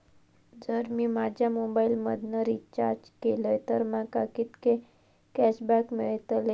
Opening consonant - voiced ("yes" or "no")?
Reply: yes